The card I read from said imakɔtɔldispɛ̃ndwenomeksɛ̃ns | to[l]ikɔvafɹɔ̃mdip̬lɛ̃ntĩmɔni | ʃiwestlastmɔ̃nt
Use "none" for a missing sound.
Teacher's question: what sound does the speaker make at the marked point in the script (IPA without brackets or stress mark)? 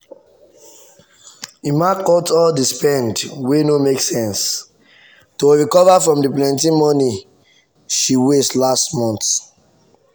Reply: ɹ